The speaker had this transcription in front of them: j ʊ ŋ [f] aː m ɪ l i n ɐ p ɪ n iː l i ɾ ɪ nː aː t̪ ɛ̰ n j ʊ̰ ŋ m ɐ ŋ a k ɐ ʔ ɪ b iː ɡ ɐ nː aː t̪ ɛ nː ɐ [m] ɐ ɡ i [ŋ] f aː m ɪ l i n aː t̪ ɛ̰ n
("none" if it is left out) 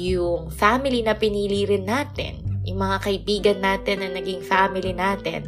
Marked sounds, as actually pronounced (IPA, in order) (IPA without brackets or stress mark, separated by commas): f, n, ŋ